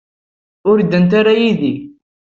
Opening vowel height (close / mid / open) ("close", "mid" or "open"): close